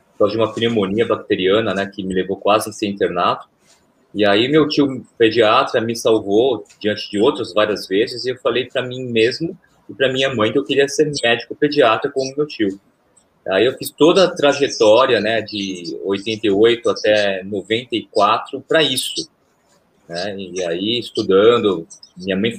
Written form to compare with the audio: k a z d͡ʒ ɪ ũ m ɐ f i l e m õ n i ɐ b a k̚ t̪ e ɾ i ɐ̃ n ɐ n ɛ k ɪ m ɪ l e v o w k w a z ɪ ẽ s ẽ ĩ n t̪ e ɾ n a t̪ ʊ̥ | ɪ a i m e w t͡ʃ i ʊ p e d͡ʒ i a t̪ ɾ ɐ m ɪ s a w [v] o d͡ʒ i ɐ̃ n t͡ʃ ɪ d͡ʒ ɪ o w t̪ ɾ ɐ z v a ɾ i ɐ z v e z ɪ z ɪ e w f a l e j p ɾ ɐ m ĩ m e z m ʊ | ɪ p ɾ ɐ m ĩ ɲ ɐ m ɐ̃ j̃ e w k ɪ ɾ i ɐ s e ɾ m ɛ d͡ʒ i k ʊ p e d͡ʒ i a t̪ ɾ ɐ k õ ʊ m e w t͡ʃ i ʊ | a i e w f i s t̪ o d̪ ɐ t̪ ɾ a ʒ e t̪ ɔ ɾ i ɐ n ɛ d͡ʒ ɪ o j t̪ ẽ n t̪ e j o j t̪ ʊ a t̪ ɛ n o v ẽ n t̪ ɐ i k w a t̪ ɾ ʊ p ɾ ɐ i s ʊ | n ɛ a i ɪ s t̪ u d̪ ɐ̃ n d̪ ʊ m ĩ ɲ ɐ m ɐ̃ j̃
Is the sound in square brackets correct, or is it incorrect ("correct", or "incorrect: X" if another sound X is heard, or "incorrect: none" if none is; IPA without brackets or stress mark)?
correct